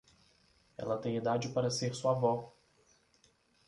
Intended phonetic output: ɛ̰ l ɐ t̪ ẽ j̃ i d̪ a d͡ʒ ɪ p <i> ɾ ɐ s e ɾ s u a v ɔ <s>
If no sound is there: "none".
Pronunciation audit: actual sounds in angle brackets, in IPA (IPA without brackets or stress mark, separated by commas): a, none